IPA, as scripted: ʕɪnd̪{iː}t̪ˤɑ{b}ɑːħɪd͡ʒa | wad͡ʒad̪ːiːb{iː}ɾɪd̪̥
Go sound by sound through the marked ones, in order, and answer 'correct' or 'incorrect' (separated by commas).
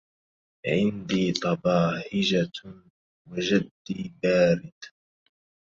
correct, correct, incorrect